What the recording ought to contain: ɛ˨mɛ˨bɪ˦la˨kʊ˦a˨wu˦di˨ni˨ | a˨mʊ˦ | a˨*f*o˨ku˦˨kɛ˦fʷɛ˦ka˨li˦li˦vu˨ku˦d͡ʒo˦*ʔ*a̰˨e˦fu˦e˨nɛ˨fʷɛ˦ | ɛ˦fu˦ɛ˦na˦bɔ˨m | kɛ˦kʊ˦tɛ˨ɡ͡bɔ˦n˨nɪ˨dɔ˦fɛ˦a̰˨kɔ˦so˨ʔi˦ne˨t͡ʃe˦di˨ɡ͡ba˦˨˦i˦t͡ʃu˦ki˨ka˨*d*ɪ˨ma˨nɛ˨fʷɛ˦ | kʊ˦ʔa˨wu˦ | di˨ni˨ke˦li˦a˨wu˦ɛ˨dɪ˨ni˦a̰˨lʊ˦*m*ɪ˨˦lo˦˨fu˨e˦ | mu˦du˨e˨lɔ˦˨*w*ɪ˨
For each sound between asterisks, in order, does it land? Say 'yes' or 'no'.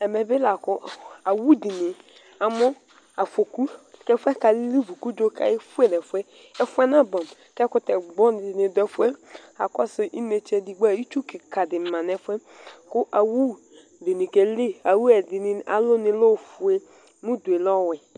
yes, no, yes, no, yes

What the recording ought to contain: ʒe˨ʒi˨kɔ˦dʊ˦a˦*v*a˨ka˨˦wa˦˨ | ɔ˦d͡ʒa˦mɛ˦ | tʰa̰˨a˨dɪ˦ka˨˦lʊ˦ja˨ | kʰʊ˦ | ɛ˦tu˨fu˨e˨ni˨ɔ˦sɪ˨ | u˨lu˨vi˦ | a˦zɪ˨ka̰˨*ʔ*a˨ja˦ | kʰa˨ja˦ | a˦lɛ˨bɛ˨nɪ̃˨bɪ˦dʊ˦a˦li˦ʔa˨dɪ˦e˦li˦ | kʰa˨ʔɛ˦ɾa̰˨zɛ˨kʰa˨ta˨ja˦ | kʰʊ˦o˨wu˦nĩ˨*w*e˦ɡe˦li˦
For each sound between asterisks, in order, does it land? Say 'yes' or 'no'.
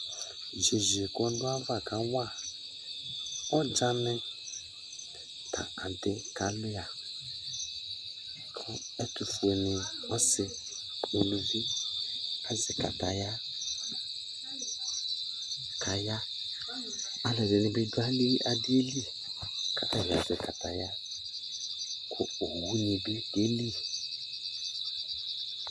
yes, no, no

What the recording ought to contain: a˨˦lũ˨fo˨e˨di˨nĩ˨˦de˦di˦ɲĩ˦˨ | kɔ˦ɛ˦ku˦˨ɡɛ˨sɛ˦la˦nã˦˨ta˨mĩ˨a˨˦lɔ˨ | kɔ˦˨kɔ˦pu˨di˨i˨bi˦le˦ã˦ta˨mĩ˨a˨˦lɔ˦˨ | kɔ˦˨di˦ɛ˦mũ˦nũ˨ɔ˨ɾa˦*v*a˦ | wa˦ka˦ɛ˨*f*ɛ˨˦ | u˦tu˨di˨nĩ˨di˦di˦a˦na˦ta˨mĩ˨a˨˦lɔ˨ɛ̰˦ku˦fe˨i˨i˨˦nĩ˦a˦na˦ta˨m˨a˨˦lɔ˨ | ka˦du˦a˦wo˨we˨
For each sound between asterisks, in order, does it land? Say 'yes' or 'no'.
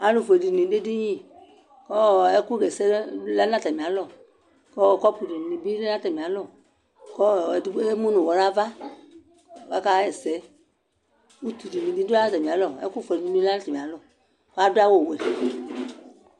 yes, no

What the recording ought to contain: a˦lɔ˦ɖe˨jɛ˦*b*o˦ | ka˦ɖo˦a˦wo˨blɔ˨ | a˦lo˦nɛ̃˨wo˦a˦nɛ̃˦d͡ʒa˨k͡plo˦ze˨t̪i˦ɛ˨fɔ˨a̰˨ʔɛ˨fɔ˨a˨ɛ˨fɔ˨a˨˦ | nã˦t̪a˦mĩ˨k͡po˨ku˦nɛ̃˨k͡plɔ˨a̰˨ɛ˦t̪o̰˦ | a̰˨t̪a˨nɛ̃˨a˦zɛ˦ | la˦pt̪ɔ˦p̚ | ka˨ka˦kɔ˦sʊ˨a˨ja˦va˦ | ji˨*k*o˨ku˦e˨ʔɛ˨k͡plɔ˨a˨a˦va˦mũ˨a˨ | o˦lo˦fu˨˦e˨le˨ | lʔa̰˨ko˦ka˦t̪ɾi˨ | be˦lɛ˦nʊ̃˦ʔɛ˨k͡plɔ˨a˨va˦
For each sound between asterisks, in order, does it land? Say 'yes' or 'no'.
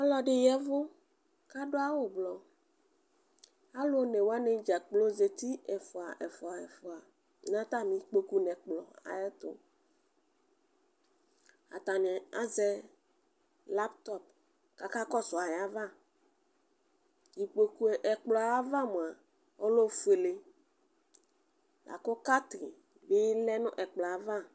no, no

